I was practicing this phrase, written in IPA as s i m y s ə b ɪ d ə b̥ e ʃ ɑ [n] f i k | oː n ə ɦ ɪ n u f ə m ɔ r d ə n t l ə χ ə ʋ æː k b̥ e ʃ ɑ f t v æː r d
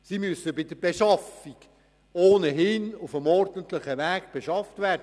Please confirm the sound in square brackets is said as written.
no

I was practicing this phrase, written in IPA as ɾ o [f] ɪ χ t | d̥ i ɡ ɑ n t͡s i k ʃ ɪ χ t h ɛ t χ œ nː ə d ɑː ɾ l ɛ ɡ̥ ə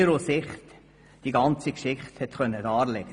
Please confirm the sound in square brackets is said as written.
no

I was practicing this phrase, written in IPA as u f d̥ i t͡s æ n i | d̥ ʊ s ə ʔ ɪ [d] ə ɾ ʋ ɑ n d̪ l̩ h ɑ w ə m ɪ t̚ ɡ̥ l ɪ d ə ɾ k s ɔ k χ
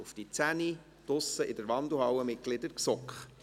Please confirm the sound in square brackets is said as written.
yes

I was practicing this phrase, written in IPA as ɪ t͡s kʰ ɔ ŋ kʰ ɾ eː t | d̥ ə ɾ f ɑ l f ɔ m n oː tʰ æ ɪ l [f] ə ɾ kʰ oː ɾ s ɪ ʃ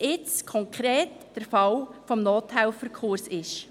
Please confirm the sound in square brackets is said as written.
yes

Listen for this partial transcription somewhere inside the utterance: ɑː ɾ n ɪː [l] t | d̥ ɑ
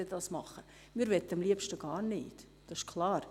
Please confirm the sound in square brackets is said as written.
no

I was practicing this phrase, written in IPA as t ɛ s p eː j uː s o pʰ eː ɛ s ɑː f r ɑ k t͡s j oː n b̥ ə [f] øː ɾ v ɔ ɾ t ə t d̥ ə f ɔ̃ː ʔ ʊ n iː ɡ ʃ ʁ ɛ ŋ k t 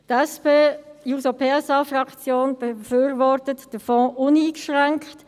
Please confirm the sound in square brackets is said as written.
yes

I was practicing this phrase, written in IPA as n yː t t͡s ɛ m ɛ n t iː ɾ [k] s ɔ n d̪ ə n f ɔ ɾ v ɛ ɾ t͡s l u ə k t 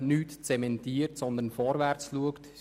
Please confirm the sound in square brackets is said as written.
no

